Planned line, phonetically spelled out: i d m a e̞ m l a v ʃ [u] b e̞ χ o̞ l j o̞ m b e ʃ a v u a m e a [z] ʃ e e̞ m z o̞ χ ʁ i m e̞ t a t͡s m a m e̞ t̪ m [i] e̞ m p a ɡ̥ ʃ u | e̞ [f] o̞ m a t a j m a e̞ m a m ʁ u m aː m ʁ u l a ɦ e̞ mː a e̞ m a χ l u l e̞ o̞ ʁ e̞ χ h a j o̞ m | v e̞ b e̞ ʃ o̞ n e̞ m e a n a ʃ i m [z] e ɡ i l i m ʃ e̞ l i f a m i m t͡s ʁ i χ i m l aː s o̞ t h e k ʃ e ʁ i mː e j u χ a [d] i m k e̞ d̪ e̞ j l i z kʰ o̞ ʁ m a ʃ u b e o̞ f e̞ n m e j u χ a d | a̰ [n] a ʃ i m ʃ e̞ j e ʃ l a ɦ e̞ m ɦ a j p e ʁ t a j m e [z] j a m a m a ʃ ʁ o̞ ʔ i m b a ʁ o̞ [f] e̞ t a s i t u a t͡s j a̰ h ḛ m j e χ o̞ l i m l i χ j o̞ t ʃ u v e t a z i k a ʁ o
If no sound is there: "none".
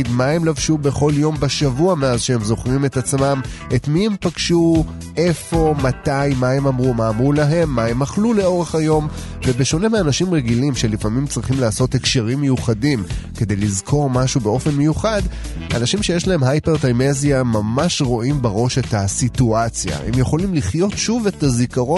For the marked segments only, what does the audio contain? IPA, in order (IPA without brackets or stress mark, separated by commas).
u, z, i, f, ʁ, d, n, z, ʃ